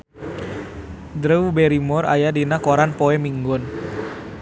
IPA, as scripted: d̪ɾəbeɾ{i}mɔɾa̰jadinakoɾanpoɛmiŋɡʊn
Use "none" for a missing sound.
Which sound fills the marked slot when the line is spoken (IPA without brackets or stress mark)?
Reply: i